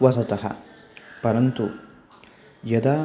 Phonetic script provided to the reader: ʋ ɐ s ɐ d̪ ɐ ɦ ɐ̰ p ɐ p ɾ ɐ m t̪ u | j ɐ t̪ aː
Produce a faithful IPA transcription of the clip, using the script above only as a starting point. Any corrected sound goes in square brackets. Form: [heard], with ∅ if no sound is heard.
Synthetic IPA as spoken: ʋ ɐ s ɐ [t̪] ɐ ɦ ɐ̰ p ɐ [∅] ɾ ɐ [n] t̪ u | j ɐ [d̪] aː